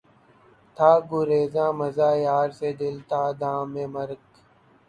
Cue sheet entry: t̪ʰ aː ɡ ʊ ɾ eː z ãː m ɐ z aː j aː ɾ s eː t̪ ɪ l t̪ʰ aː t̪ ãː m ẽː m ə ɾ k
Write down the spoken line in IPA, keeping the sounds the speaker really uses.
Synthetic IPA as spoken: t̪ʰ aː ɡ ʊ ɾ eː z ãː m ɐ z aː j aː ɾ s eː d̪ ɪ l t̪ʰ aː d̪ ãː m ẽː m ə ɾ k